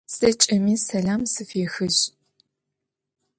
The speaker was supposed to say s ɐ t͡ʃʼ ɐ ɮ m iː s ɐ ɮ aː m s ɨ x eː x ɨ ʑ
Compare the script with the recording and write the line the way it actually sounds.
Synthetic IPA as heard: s ɐ t͡ʃʼ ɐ m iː s ɐ ɮ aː m s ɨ f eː x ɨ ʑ